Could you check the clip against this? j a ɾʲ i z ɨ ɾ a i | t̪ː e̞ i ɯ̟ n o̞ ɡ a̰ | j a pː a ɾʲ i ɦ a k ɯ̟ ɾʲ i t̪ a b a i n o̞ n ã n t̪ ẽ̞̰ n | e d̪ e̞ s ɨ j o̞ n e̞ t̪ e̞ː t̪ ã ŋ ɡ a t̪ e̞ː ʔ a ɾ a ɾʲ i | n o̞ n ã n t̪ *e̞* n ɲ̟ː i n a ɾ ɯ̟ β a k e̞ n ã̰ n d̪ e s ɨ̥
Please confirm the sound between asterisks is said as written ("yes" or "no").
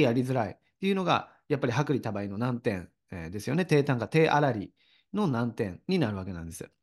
no